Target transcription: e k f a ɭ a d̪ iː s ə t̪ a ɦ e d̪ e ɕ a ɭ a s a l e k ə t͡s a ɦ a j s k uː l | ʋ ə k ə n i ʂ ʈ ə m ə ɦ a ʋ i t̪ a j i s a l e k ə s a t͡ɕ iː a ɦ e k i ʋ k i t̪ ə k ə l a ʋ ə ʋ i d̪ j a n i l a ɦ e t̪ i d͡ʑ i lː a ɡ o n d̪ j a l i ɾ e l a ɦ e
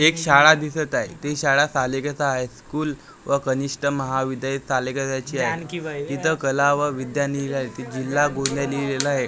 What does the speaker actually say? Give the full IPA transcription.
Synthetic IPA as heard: e k ɕ a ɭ a d̪ i s ə t̪ a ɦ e t̪ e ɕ a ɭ a s a l e k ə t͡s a ɦ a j s k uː l | ʋ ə k ə n i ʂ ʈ ə m ə ɦ a ʋ i d̪ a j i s a l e k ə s a t͡ɕ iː a ɦ e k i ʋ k i t̪ ə k ə l a ʋ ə ʋ i d̪ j a n i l a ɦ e t̪ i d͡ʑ i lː a ɡ o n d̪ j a l i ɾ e l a ɦ e